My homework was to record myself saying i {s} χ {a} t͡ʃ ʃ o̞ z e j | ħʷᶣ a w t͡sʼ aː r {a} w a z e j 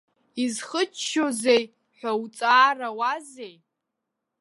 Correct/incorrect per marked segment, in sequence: incorrect: z, incorrect: ə, correct

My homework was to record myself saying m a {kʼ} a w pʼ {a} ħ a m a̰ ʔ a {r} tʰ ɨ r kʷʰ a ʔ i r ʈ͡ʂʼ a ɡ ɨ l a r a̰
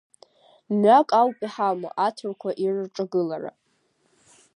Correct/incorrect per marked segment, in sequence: correct, incorrect: i, incorrect: none

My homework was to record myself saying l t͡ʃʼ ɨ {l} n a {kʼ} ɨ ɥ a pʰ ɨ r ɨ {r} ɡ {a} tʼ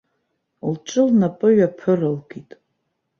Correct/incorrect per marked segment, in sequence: correct, incorrect: pʼ, incorrect: l, incorrect: i

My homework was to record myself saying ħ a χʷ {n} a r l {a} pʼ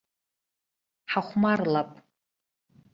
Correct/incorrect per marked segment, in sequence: incorrect: m, correct

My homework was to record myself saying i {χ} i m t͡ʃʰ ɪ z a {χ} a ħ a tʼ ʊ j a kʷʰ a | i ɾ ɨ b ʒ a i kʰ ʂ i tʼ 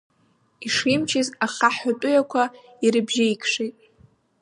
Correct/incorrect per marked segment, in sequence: incorrect: ʂ, correct

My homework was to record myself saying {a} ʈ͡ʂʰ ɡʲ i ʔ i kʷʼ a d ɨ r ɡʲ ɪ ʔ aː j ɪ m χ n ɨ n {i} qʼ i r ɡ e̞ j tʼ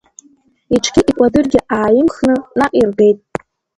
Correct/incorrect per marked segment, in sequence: incorrect: i, incorrect: a

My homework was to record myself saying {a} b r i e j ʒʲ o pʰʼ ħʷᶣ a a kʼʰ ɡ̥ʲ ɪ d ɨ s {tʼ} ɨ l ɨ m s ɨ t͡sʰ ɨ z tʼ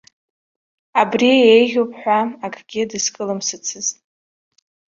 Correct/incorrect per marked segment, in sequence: correct, incorrect: kʼ

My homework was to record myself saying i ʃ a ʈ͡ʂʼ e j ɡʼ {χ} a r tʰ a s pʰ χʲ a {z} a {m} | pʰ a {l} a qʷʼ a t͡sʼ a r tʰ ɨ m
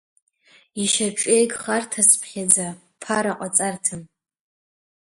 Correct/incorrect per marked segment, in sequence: correct, incorrect: d͡z, incorrect: none, incorrect: ɾ

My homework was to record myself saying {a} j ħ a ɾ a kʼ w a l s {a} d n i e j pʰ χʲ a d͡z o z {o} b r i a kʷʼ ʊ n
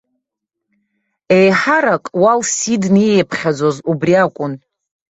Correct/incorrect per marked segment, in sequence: incorrect: e, incorrect: i, incorrect: u

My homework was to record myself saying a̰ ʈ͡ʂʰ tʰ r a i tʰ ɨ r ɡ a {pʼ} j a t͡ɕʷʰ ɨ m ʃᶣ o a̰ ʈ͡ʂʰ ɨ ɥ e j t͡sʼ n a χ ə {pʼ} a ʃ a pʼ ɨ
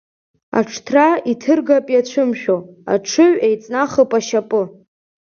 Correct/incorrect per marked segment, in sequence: correct, correct

